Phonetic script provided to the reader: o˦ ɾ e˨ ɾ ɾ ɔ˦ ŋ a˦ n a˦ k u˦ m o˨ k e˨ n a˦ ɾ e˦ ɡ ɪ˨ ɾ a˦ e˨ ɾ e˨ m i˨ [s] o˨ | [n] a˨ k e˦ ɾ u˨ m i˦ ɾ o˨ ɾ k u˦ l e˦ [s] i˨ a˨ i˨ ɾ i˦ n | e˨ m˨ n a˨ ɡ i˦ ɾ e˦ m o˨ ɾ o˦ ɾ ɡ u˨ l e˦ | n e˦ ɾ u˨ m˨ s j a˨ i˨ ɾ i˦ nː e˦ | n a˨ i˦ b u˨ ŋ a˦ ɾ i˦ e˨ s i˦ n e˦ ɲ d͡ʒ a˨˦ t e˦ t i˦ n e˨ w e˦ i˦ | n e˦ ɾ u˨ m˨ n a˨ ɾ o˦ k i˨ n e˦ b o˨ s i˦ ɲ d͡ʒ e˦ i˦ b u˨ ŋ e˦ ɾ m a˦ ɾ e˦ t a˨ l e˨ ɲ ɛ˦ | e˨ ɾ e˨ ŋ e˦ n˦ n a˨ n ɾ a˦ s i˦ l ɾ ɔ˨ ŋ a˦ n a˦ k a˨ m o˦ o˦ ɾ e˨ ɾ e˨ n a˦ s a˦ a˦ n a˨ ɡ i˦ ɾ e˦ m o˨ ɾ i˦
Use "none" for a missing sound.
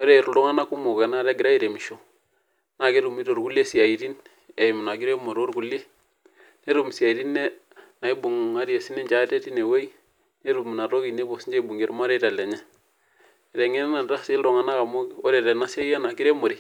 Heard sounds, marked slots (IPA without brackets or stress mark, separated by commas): ʃ, n, s